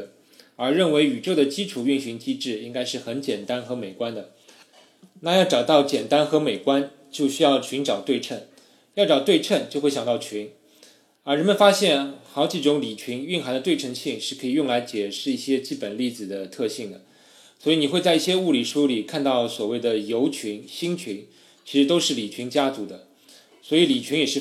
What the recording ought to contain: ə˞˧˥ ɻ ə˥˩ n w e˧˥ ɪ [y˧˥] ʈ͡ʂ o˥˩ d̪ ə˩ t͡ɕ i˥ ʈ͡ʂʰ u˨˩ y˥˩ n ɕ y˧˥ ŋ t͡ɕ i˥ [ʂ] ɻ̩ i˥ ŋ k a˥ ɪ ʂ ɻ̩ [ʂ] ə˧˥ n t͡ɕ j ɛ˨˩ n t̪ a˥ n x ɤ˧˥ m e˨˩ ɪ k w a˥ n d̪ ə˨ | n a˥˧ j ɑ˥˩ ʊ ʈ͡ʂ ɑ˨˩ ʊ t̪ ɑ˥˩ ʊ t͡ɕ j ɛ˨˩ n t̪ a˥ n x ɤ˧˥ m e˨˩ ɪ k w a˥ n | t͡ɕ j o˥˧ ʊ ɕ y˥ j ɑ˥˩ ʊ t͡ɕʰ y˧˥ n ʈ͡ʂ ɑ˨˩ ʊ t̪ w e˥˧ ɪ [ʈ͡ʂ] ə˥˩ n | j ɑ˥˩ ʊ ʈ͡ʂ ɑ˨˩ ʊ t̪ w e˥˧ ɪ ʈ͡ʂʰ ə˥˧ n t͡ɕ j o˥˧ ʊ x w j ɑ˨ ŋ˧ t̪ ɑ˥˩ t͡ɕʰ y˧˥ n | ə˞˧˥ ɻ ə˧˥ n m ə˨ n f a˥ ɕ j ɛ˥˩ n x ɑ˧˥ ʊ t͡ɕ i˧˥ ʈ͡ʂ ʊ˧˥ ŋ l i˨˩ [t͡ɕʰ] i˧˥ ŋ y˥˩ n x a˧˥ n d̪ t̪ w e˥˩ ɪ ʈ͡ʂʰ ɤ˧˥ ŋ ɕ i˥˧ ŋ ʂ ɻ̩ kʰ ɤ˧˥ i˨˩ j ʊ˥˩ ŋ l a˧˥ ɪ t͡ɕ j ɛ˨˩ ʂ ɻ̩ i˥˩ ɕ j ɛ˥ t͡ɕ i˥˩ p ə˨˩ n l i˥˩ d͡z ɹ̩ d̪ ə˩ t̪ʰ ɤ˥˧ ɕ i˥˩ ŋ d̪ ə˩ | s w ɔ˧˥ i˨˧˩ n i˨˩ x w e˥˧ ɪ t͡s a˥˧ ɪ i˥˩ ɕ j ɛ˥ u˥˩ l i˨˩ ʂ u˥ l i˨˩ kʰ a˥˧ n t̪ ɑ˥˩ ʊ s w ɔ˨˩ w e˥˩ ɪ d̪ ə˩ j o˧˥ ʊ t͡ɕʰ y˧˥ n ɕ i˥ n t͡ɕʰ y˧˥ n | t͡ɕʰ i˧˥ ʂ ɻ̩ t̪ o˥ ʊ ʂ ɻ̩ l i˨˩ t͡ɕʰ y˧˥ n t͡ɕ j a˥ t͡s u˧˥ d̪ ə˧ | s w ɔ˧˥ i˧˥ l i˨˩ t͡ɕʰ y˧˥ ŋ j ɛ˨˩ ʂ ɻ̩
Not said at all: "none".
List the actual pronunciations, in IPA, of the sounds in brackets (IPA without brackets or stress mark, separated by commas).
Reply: y˨˩, ʈ͡ʂ, x, ʈ͡ʂʰ, t͡ɕʰ